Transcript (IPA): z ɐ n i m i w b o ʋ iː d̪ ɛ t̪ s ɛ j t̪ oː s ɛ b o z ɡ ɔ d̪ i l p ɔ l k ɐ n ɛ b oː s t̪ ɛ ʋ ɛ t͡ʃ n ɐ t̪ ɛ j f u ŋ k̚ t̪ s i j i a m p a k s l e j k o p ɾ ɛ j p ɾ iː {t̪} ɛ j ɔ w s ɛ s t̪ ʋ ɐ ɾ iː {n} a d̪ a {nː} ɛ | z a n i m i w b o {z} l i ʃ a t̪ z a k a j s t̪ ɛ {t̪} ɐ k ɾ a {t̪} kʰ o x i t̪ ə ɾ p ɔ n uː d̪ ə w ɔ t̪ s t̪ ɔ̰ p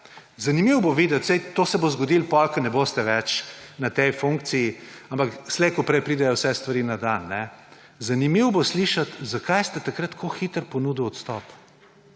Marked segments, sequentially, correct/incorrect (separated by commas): incorrect, correct, correct, incorrect, correct, correct